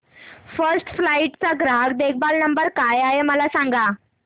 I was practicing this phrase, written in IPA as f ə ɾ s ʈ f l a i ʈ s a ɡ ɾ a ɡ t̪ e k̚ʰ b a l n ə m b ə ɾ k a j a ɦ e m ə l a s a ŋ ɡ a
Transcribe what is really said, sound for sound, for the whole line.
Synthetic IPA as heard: f ə ɾ s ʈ f l a i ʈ t͡s a ɡ ɾ a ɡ d̪ e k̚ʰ b a l n ə m b ə ɾ k a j a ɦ e m ə l a s a ŋ ɡ a